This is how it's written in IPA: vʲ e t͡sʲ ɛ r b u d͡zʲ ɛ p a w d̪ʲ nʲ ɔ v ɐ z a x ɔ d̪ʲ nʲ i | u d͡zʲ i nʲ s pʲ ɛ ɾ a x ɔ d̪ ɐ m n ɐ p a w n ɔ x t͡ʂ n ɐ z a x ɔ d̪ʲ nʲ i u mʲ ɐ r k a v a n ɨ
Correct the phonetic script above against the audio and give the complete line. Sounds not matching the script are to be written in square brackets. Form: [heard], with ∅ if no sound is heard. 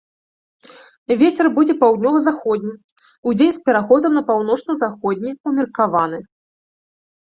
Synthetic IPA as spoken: vʲ e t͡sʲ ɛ r b u d͡zʲ ɛ p a w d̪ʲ nʲ ɔ v ɐ z a x ɔ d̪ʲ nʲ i | u d͡zʲ [e] nʲ s pʲ ɛ ɾ a x ɔ d̪ ɐ m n ɐ p a w n ɔ [∅] t͡ʂ n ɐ z a x ɔ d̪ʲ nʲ i u mʲ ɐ r k a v a n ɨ